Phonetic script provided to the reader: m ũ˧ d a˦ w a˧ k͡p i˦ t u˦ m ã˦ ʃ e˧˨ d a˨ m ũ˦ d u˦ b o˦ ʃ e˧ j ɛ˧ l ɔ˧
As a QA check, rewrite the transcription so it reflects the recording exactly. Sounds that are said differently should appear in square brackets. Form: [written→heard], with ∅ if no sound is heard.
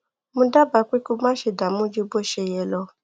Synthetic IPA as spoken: m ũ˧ d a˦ [w→b] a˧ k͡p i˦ [t→k] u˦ m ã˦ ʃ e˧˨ d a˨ m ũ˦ [d→d͡ʒ] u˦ b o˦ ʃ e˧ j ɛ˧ l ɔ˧